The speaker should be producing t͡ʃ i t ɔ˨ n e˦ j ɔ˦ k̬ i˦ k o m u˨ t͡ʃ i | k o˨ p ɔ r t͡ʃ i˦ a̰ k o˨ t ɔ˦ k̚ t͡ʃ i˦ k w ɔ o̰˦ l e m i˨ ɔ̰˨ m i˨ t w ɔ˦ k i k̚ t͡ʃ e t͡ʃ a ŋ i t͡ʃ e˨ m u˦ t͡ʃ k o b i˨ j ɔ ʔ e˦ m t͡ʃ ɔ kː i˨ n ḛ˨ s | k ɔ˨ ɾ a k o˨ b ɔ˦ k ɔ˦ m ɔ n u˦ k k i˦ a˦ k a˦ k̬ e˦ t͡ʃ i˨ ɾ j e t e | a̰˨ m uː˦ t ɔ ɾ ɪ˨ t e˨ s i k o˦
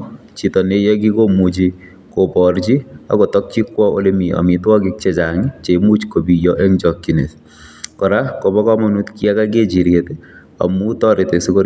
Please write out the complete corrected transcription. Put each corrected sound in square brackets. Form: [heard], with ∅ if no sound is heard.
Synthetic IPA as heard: t͡ʃ i t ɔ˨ n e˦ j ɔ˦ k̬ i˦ k o m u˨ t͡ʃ i | k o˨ p ɔ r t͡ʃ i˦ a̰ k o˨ t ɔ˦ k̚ t͡ʃ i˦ k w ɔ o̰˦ l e m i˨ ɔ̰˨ m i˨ t w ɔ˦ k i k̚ t͡ʃ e t͡ʃ a ŋ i t͡ʃ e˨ m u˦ t͡ʃ k o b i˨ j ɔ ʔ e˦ [ŋ] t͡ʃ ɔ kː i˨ n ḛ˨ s | k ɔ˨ ɾ a k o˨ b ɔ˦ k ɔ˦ m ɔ n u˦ [t] k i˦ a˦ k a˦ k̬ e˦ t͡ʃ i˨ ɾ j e t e | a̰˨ m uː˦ t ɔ ɾ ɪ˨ t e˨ s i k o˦